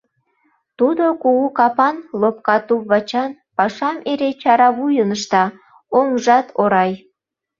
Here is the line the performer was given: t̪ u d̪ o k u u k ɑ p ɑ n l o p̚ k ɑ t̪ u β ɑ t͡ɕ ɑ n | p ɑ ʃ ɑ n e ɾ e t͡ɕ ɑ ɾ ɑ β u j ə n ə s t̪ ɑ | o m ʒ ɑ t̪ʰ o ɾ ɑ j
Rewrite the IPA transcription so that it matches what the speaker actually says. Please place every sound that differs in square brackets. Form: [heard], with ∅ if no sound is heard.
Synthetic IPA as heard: t̪ u d̪ o k u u k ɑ p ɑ n l o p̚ k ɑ t̪ u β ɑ t͡ɕ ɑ n | p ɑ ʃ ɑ [m] e ɾ e t͡ɕ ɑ ɾ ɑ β u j ə n ə [ʃ] t̪ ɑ | o [ŋ] ʒ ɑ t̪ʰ o ɾ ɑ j